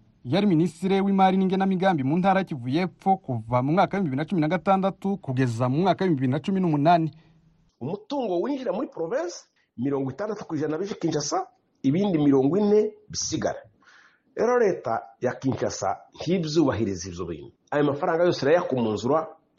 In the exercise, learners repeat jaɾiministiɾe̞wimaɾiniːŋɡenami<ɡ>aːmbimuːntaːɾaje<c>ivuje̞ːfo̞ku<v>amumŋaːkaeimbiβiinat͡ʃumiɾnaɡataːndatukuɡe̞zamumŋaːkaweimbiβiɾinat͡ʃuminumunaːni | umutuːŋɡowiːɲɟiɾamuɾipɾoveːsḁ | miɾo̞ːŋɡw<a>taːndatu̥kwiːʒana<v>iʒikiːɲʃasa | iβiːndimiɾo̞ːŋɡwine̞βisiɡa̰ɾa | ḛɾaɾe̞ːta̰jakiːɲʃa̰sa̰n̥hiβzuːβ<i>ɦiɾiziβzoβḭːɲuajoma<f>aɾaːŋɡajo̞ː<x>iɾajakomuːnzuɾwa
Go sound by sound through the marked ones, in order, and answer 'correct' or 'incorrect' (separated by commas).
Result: correct, correct, correct, incorrect, incorrect, incorrect, correct, incorrect